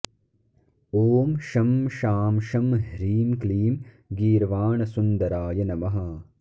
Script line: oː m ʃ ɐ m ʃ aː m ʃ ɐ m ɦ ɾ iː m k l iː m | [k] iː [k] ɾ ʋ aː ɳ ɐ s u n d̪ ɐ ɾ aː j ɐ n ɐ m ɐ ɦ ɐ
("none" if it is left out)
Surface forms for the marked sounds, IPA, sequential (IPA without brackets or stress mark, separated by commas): ɡ, none